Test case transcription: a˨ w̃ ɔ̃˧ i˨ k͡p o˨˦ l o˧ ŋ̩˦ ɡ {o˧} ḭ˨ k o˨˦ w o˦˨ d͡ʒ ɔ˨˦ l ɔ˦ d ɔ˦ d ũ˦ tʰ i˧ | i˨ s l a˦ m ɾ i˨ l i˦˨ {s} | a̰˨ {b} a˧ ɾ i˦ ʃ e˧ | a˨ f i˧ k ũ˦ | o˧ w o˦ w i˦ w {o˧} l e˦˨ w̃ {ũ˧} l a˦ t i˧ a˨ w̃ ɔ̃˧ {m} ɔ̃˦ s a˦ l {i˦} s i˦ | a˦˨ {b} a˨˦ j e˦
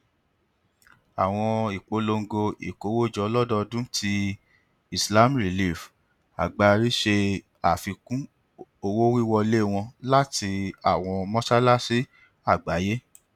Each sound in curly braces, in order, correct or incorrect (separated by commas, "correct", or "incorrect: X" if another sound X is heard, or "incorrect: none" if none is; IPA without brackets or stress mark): correct, incorrect: f, incorrect: ɡ͡b, incorrect: ɔ˧, incorrect: ɔ̃˧, correct, incorrect: a˦, incorrect: ɡ͡b